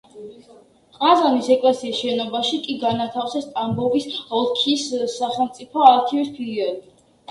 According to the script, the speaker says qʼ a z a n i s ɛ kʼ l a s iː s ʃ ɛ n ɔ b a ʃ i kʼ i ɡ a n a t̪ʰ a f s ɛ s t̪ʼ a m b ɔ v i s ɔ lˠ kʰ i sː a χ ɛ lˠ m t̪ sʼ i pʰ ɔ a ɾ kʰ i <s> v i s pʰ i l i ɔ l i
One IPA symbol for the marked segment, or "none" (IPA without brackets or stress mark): none